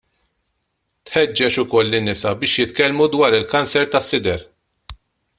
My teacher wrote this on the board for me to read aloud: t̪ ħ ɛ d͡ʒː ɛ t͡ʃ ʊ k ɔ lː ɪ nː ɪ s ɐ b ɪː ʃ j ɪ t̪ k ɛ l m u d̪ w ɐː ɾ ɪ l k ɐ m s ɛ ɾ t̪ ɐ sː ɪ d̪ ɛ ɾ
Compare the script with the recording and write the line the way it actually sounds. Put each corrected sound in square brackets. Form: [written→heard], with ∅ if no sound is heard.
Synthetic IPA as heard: t̪ ħ ɛ d͡ʒː ɛ t͡ʃ ʊ k ɔ lː ɪ nː ɪ s ɐ b ɪː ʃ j ɪ t̪ k ɛ l m u d̪ w ɐː ɾ ɪ l k ɐ [m→n] s ɛ ɾ t̪ ɐ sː ɪ d̪ ɛ ɾ